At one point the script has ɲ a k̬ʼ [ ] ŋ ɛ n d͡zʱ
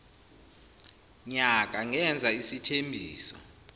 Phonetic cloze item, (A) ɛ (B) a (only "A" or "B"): B